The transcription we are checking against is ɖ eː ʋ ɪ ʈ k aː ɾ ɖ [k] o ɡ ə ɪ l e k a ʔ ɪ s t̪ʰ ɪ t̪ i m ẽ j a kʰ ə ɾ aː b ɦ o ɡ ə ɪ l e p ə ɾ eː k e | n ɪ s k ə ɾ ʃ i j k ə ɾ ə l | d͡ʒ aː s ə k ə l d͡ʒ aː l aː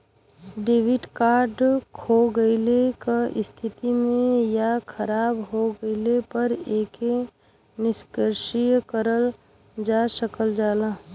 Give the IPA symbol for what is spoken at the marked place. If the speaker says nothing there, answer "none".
kʰ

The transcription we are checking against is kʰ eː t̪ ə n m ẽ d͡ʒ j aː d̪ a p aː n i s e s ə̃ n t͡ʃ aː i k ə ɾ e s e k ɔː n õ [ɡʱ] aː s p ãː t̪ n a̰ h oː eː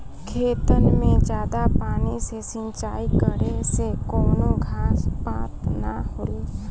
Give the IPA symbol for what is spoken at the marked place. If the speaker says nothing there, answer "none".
ɡʱ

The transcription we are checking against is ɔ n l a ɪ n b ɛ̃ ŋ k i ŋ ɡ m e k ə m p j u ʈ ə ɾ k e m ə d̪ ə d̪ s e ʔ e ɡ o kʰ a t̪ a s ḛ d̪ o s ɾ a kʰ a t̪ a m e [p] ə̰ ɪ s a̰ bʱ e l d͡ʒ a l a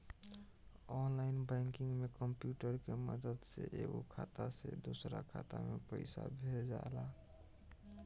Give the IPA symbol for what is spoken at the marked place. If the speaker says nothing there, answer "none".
p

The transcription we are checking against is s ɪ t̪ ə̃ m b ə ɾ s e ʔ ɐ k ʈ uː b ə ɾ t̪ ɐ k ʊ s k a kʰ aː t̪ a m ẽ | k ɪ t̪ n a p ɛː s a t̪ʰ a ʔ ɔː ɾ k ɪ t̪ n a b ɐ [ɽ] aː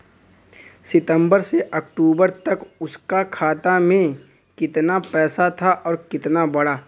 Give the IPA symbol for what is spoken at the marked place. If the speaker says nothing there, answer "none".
ɽ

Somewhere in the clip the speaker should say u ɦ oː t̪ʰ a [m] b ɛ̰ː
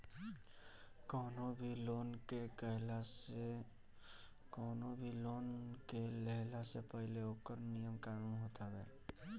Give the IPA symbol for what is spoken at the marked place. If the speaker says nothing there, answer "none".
none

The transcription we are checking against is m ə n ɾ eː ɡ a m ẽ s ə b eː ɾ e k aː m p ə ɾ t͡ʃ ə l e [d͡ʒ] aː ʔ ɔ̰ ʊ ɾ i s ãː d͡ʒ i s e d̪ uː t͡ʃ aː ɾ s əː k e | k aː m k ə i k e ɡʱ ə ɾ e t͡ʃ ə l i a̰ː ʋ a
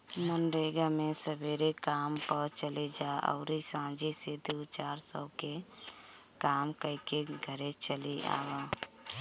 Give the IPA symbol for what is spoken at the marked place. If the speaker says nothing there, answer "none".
d͡ʒ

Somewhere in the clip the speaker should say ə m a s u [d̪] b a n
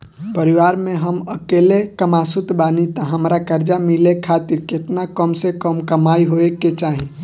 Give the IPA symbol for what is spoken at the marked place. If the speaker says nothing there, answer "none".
t̪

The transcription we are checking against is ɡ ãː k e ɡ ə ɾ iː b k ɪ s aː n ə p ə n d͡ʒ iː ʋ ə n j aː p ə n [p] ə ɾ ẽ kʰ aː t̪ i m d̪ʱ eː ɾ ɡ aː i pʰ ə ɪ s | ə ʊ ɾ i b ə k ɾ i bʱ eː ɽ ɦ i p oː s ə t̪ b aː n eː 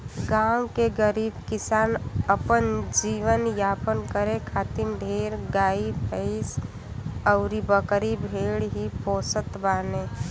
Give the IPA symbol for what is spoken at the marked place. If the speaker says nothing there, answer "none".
k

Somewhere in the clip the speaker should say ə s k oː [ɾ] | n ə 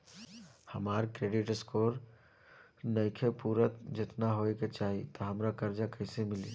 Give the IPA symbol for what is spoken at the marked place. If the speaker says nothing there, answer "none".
ɾ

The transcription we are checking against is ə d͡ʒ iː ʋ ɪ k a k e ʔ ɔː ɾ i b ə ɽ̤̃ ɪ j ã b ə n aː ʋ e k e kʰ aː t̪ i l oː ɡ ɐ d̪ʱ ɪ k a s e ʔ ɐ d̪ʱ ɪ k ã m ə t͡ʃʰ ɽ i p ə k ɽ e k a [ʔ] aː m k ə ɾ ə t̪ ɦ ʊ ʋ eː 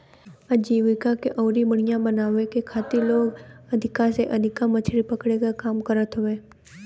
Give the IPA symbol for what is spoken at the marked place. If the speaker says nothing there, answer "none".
k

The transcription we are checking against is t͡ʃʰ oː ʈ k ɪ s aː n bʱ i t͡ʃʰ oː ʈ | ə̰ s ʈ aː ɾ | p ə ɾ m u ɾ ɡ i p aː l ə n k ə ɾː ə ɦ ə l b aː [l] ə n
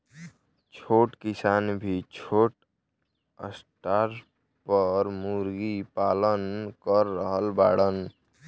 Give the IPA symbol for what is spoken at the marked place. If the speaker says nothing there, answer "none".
ɽ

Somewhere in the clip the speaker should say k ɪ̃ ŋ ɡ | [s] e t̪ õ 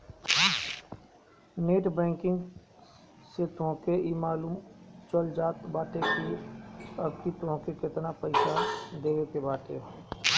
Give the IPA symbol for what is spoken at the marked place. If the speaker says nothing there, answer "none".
s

